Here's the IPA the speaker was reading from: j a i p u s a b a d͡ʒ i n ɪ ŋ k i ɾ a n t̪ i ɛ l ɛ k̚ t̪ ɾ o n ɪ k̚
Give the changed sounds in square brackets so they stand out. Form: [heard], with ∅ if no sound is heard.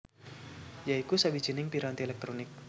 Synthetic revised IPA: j a i [k] u s a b [i] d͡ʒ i n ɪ ŋ [p] i ɾ a n t̪ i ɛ l ɛ k̚ t̪ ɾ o n ɪ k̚